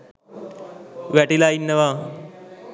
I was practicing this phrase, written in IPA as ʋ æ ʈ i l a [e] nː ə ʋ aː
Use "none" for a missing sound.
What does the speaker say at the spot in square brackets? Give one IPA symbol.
i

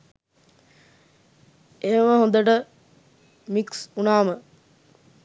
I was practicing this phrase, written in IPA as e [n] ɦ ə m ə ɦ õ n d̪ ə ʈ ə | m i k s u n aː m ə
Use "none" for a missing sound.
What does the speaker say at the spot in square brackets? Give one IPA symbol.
none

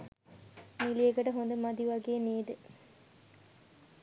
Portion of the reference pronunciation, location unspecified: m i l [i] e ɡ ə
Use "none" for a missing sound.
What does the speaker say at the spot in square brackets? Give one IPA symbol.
i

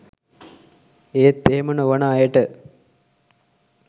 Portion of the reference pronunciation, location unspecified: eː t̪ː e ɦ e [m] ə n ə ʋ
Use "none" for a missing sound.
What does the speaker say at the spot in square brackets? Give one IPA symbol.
m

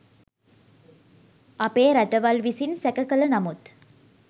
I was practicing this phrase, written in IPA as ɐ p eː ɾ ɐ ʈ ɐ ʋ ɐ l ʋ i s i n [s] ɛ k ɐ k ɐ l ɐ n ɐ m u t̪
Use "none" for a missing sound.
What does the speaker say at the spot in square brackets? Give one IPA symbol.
s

